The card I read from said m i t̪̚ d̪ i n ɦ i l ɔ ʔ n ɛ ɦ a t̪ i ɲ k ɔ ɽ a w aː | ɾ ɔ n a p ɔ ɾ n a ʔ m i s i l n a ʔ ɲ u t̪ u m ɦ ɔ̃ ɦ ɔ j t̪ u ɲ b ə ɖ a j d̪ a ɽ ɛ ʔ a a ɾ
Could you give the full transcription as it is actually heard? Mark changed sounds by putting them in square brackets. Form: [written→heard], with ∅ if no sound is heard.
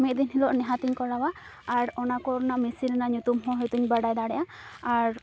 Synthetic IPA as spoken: m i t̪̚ d̪ i n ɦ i l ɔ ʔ n ɛ ɦ a t̪ i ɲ k ɔ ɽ a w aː | ɾ ɔ n a [p→k] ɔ ɾ n a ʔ m i s i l n a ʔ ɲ u t̪ u m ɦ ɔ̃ ɦ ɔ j t̪ u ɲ b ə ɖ a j d̪ a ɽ ɛ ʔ a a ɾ